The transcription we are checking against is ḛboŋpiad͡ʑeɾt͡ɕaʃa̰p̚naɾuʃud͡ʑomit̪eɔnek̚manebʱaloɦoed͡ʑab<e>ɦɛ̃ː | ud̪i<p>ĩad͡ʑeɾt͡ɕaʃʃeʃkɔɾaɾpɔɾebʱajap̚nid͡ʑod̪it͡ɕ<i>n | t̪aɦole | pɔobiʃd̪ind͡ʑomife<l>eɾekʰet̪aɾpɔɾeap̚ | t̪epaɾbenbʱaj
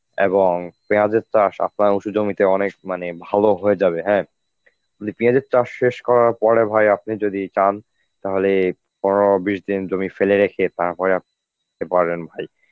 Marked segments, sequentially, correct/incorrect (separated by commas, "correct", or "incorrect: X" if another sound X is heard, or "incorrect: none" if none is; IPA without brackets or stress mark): correct, correct, incorrect: a, correct